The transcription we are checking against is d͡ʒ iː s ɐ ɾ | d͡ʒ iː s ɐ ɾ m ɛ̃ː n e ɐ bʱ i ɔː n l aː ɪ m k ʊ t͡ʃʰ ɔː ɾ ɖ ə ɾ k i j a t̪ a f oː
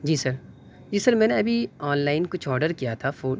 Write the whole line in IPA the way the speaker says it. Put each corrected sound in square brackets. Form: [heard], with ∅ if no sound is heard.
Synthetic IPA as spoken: d͡ʒ iː s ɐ ɾ | d͡ʒ iː s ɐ ɾ m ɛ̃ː n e ɐ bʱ i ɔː n l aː ɪ [n] k ʊ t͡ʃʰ ɔː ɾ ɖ ə ɾ k i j a [t̪ʰ] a f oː

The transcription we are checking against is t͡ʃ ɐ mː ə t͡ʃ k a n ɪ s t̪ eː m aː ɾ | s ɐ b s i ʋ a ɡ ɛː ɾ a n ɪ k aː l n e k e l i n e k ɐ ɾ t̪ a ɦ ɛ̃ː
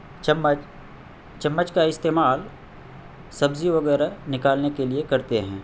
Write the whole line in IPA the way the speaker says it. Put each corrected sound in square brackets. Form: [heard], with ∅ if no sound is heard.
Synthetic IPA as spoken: t͡ʃ ɐ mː ə t͡ʃ k a [∅] ɪ s t̪ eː m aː [l] | s ɐ b [z] i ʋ [ɐ] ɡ ɛː ɾ a n ɪ k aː l n e k e l i [∅] e k ɐ ɾ t̪ [e] ɦ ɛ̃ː

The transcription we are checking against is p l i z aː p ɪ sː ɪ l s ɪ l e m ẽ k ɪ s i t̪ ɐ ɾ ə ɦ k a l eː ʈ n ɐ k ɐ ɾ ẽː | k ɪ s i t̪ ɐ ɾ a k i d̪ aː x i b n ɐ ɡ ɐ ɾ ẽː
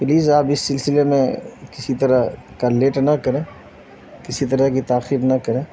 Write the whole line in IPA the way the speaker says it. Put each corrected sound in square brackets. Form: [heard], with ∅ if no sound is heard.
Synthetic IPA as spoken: p l [iː] z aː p ɪ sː ɪ l s ɪ l e m ẽ k ɪ s i t̪ ɐ ɾ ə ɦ k a l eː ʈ n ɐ k ɐ ɾ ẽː | k ɪ s i t̪ ɐ ɾ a k i [t̪] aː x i b n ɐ [k] ɐ ɾ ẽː

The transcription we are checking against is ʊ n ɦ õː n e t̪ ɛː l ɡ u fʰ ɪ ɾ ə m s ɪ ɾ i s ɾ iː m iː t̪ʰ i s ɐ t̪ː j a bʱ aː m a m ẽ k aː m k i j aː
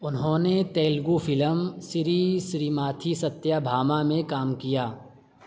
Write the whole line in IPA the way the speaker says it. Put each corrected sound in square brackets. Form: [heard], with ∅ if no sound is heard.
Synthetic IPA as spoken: ʊ n ɦ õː n e t̪ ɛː l ɡ u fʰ ɪ [l] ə m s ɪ ɾ i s ɾ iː m [aː] t̪ʰ i s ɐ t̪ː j a bʱ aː m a m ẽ k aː m k i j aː

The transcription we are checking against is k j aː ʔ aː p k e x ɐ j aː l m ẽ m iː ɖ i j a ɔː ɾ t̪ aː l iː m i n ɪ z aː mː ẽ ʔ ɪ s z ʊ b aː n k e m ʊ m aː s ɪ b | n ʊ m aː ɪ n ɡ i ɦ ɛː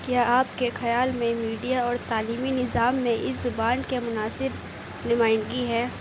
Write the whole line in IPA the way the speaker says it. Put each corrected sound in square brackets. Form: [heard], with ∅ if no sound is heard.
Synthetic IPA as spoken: k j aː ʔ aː p k e x ɐ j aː l m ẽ m iː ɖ i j a ɔː ɾ t̪ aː l iː m i n ɪ z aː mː ẽ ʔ ɪ s z ʊ b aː n k e m ʊ [n] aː s ɪ b | n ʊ m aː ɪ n ɡ i ɦ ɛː

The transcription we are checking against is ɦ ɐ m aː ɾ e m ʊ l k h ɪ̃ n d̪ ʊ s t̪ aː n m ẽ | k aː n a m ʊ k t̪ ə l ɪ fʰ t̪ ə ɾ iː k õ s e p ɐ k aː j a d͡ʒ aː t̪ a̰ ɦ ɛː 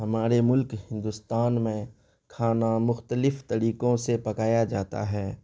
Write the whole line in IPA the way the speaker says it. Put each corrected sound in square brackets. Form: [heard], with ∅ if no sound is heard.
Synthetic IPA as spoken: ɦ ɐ m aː ɾ e m ʊ l k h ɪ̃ n d̪ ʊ s t̪ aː n m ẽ | [kʰ] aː n a m ʊ [x] t̪ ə l ɪ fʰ t̪ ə ɾ iː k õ s e p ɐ k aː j a d͡ʒ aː t̪ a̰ ɦ ɛː

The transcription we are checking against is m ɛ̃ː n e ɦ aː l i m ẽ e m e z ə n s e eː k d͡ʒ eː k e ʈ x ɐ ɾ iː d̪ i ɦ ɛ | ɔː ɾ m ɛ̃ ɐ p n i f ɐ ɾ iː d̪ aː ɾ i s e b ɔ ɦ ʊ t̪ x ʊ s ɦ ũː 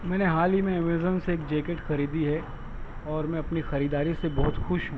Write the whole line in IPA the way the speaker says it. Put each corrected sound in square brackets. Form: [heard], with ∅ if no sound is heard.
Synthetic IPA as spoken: m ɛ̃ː n e ɦ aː l i m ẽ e m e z ə n s e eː k d͡ʒ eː k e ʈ x ɐ ɾ iː d̪ i ɦ ɛ | ɔː ɾ m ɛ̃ ɐ p n i [x] ɐ ɾ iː d̪ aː ɾ i s e b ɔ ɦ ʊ t̪ x ʊ [ʃ] ɦ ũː

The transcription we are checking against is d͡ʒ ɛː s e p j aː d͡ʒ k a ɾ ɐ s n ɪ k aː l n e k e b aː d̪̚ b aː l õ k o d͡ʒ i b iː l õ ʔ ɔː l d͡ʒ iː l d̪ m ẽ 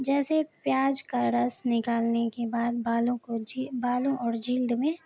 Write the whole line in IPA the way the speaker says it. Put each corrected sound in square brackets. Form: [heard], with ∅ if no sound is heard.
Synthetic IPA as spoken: d͡ʒ ɛː s e p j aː d͡ʒ k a ɾ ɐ s n ɪ k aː l n e k e b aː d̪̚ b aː l õ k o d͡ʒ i b [aː] l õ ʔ ɔː [ɾ] d͡ʒ iː l d̪ m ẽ

